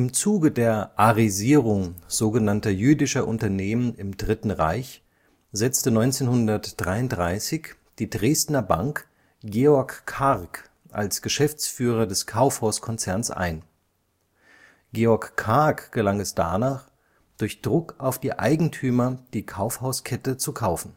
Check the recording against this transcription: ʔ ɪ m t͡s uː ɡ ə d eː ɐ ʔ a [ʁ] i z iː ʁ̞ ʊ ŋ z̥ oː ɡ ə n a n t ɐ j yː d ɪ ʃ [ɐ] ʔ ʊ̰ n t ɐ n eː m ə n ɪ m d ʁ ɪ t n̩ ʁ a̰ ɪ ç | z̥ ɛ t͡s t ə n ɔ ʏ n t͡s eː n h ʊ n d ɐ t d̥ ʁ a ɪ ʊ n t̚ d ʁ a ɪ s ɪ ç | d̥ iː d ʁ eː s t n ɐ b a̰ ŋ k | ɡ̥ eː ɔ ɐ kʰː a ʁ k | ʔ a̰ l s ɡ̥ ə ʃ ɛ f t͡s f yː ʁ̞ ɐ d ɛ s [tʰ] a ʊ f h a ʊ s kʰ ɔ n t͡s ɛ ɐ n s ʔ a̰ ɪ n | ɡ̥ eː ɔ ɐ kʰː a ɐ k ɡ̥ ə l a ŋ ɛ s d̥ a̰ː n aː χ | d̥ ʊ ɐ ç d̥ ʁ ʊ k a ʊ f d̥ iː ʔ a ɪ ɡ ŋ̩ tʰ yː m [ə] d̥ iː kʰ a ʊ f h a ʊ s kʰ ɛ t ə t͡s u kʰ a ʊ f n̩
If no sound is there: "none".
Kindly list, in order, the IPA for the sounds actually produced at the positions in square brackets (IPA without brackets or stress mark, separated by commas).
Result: ʁ, ɐ, kʰ, ɐ